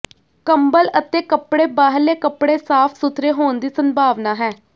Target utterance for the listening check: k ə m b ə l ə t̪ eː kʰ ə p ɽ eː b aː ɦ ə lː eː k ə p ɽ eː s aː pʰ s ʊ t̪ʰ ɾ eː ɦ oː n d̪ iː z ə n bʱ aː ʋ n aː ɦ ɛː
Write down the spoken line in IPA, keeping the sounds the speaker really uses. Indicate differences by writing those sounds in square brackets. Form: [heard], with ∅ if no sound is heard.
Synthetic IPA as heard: k ə m b ə l ə t̪ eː [k] ə p ɽ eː b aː ɦ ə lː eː k ə p ɽ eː s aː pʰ s ʊ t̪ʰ ɾ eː ɦ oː n d̪ iː [s] ə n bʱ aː ʋ n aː ɦ ɛː